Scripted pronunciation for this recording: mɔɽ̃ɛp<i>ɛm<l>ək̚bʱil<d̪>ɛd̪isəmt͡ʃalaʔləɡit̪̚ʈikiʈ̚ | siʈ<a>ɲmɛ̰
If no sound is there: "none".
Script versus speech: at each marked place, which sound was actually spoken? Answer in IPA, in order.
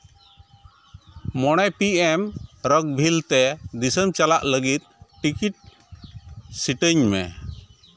i, ɾ, t̪, ə

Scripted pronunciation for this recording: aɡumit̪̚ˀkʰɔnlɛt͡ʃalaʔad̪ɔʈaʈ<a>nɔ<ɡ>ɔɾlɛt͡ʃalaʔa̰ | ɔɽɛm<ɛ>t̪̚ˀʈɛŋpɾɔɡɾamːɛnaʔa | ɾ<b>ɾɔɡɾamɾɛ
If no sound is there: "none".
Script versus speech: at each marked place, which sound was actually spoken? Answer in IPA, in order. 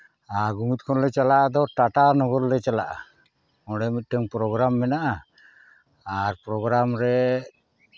a, ɡ, i, p

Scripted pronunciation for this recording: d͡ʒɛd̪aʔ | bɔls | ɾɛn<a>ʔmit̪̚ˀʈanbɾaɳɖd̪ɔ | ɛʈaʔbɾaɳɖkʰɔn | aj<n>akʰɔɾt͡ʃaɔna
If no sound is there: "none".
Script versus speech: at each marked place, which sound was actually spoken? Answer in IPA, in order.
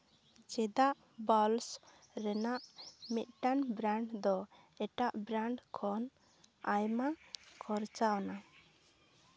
a, m

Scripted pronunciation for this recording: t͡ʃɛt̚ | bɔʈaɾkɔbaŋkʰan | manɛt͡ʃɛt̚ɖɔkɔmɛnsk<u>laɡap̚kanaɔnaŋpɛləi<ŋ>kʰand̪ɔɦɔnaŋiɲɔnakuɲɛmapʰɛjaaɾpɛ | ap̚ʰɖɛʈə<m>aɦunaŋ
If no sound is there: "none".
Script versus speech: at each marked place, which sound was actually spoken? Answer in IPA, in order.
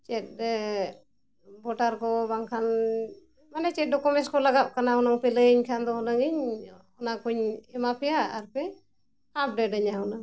ɔ, ɲ, ɲ

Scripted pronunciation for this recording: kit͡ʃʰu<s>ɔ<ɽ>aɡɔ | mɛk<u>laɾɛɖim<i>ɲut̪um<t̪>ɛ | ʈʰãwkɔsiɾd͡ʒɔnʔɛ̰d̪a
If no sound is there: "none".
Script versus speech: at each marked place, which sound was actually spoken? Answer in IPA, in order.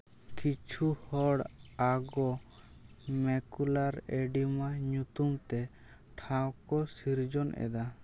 h, ɽ, u, a, t̪

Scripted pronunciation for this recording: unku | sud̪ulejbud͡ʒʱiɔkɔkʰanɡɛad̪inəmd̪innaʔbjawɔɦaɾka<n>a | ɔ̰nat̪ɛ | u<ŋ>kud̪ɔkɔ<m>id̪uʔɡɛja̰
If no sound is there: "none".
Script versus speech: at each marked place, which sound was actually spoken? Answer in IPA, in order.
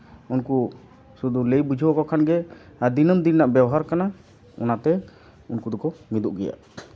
n, n, m

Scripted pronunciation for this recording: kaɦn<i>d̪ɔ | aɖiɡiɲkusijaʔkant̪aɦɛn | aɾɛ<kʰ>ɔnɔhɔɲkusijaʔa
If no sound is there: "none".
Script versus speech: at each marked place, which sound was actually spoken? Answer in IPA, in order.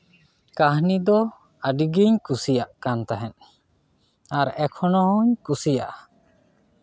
i, kʰ

